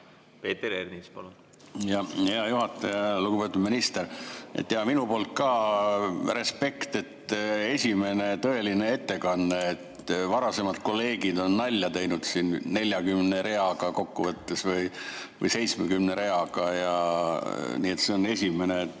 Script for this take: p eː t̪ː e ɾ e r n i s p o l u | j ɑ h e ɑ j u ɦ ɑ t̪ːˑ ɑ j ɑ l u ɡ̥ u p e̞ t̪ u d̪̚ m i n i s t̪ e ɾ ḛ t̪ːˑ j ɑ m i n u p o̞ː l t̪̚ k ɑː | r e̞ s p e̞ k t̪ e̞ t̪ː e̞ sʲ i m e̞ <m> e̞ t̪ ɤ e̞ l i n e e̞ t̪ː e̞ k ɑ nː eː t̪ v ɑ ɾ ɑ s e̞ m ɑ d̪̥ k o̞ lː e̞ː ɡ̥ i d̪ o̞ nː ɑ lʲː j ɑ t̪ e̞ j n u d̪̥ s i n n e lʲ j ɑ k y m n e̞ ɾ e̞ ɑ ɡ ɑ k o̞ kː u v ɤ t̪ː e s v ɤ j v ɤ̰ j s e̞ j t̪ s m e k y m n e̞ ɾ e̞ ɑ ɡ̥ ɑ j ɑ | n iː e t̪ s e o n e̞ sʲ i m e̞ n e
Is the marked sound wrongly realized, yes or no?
yes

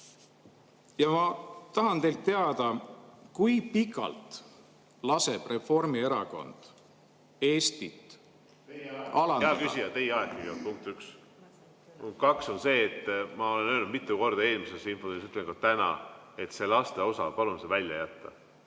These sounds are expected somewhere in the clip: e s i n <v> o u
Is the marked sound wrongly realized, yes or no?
yes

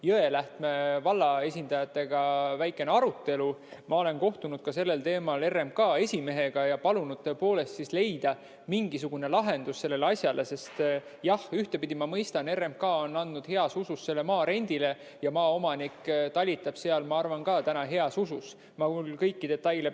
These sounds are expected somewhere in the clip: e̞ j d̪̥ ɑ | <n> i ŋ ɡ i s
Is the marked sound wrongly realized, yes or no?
yes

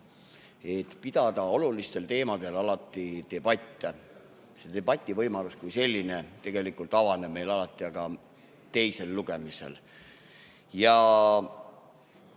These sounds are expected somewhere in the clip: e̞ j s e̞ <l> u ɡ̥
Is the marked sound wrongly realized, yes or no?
yes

